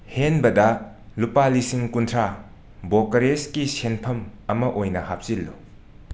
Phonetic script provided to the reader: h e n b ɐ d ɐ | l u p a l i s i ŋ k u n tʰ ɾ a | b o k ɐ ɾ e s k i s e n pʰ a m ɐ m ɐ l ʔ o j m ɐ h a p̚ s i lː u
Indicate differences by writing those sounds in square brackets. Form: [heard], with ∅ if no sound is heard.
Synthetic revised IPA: h e n b ɐ d ɐ | l u p a l i s i ŋ k u n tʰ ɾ a | b o k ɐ ɾ e s k i s e n pʰ [ɐ] m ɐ m ɐ [∅] ʔ o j [n] ɐ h a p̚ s i lː u